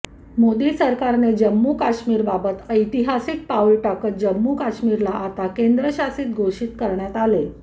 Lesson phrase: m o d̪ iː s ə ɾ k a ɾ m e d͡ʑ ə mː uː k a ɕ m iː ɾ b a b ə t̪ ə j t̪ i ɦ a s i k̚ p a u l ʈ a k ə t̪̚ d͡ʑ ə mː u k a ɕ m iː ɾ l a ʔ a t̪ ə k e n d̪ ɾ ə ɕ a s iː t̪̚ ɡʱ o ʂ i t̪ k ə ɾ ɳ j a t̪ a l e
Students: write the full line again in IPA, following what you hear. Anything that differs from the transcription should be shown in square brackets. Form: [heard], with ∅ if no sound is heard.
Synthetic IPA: m o d̪ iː s ə ɾ k a ɾ [n] e d͡ʑ ə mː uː k a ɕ m iː ɾ b a b ə t̪ ə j t̪ i ɦ a s i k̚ p a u l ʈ a k ə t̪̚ d͡ʑ ə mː u k a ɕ m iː ɾ l a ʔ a t̪ [a] k e n d̪ ɾ ə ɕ a s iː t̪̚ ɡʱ o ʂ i t̪ k ə ɾ ɳ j a t̪ a l e